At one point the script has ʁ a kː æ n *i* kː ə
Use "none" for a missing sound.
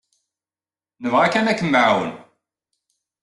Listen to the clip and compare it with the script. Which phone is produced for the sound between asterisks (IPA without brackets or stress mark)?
æ